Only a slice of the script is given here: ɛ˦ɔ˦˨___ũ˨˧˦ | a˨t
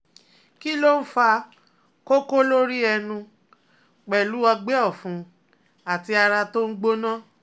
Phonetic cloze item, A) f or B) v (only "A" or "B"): A